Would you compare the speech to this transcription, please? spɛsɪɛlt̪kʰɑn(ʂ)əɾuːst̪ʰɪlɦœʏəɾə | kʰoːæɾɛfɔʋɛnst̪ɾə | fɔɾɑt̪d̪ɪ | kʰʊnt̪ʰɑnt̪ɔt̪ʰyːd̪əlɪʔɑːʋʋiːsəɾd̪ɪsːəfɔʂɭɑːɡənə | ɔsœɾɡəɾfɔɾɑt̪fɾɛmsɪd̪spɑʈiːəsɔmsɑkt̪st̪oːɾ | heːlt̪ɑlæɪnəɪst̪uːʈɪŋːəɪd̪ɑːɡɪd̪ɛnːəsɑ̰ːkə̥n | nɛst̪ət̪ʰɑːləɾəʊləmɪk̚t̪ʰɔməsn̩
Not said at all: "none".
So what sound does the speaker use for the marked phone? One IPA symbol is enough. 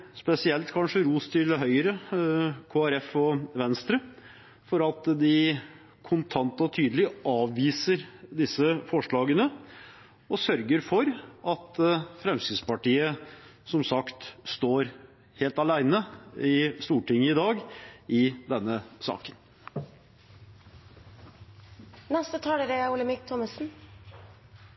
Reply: ʂ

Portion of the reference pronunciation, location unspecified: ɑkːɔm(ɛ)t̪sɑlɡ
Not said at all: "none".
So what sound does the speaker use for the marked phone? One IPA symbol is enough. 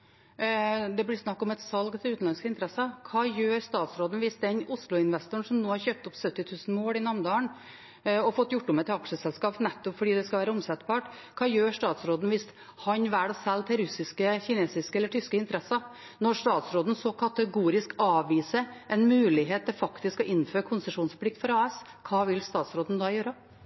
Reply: ɛ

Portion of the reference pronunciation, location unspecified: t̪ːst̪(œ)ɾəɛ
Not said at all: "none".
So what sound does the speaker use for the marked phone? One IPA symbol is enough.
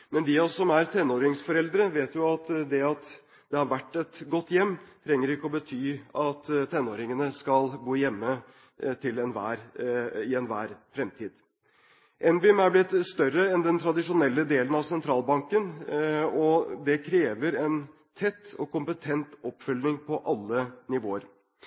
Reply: œ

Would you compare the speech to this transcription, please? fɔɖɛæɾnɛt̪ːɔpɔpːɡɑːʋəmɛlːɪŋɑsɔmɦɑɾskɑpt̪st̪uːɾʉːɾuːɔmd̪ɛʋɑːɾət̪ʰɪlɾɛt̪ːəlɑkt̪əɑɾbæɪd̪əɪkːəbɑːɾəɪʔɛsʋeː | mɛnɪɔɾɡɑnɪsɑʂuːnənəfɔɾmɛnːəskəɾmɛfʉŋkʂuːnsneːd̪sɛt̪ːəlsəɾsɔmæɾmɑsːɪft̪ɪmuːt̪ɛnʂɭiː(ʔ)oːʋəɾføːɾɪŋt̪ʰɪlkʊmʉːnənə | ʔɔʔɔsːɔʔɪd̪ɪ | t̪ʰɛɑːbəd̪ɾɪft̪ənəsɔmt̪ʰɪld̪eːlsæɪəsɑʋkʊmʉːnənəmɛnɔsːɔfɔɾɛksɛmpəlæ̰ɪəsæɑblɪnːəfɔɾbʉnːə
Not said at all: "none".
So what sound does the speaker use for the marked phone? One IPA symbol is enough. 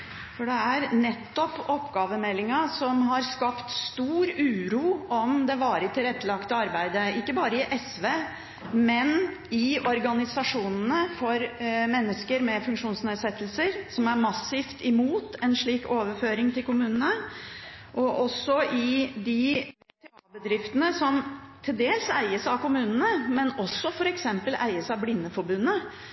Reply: k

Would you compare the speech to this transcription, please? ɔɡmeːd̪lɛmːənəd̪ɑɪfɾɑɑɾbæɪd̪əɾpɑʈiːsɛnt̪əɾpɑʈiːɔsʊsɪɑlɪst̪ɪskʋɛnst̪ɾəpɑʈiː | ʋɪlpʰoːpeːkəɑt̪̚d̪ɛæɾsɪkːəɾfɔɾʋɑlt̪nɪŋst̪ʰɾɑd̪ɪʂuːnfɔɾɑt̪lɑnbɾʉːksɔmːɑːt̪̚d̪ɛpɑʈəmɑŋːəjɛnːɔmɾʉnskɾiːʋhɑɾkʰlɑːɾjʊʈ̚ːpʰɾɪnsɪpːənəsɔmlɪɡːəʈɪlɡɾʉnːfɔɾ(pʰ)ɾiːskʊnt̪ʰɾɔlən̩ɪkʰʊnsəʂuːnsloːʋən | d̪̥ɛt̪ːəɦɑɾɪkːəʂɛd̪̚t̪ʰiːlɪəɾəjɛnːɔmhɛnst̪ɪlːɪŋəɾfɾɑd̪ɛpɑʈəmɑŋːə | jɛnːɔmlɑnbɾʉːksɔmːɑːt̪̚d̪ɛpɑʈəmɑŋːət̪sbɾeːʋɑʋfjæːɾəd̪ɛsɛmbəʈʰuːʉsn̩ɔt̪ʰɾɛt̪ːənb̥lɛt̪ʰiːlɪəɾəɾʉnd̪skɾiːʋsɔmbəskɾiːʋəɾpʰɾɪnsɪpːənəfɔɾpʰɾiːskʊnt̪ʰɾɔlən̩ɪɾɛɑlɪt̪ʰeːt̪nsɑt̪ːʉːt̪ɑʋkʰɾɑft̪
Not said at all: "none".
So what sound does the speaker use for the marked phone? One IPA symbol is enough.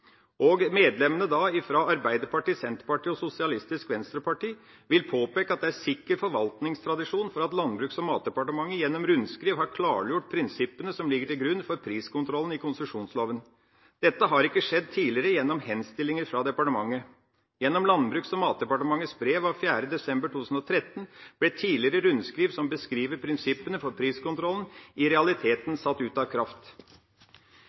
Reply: pʰ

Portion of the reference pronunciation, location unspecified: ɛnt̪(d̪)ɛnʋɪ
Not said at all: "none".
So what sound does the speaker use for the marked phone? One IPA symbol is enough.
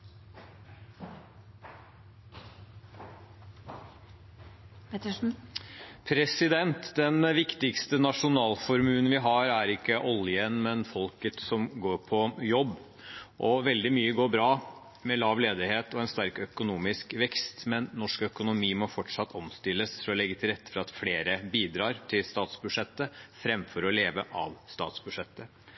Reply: d̪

